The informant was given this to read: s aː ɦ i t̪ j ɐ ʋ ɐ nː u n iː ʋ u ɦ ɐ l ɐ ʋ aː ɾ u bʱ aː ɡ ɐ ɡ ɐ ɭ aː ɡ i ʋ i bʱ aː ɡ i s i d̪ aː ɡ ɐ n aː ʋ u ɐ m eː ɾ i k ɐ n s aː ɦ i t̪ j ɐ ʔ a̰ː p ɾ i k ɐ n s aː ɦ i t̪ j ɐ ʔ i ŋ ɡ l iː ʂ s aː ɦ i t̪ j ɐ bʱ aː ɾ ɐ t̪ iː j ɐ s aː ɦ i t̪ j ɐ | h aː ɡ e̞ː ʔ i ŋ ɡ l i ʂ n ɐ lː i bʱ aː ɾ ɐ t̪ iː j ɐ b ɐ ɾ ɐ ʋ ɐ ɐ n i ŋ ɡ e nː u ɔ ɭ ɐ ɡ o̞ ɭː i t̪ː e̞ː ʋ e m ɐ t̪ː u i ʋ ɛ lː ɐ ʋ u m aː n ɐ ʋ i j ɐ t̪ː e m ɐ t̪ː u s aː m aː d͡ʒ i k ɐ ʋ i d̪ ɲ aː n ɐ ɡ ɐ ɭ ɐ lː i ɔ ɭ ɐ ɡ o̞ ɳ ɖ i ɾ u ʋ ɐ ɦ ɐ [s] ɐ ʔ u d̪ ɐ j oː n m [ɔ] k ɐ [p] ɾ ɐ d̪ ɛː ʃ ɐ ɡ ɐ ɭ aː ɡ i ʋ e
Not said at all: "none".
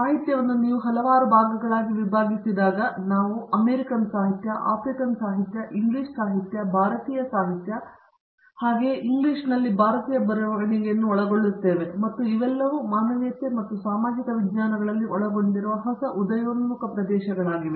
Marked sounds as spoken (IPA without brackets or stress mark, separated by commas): s, u, p